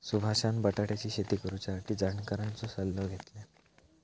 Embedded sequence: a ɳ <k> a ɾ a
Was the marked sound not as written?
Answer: no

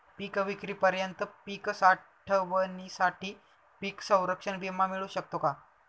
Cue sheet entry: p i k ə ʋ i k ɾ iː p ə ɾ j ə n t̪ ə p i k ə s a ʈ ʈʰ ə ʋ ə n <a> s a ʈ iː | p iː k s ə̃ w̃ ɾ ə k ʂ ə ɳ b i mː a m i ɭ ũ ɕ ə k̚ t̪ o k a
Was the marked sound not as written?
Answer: yes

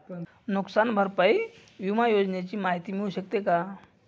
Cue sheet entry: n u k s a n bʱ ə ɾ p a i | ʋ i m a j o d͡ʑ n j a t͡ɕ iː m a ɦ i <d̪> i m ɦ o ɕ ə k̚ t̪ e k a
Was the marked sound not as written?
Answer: yes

